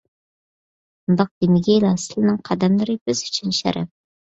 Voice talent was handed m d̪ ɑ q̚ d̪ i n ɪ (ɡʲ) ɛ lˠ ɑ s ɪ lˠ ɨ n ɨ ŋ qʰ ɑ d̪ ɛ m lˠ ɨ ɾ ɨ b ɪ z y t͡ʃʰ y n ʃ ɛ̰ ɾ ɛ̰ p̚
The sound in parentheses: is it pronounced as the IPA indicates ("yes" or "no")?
yes